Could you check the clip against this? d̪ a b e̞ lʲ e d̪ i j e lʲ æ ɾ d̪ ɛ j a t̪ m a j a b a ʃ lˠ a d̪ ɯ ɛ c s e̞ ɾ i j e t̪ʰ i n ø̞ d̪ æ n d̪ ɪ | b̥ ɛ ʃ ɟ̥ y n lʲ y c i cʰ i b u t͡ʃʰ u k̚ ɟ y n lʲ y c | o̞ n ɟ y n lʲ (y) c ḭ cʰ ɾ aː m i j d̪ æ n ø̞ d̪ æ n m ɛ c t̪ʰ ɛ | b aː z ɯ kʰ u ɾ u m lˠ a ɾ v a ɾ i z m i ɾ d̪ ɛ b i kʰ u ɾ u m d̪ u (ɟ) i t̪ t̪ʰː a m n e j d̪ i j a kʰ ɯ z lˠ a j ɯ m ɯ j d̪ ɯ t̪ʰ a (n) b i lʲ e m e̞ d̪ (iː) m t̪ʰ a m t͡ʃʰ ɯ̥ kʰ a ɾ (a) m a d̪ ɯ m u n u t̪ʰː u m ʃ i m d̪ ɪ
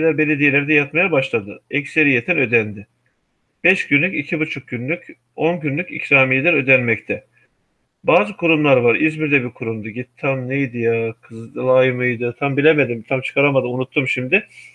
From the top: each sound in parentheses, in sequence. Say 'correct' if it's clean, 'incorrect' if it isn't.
correct, correct, incorrect, incorrect, correct

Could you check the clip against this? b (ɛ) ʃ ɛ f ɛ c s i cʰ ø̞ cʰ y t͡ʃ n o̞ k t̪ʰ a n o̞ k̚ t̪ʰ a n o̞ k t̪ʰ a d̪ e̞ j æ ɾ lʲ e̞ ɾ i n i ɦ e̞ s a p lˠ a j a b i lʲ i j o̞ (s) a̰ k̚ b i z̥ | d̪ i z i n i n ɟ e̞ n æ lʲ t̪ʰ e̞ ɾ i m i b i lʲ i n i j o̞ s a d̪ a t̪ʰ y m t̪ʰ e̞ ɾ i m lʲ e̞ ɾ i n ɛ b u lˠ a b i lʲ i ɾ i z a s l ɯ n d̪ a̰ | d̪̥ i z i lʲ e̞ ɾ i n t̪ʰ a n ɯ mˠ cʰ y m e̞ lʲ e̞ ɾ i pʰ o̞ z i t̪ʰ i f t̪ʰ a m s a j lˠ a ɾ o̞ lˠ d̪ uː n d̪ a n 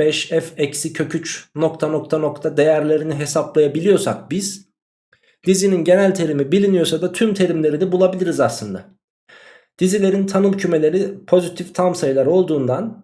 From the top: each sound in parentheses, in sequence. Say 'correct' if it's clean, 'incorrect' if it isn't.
correct, correct

